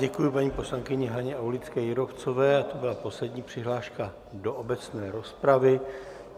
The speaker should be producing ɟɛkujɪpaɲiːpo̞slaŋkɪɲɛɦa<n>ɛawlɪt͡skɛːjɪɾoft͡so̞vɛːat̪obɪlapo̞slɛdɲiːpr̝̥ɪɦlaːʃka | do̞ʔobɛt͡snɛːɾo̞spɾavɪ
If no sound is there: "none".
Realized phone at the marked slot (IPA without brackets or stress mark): ɲ